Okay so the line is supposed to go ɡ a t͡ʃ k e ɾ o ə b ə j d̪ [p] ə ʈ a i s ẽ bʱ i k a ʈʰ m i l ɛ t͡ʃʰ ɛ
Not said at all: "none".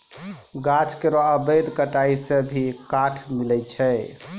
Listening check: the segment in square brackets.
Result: k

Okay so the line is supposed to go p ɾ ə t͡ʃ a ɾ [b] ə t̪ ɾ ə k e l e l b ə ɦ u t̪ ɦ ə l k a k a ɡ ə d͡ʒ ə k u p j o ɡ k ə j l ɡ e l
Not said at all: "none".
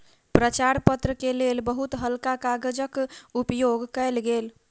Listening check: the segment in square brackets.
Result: p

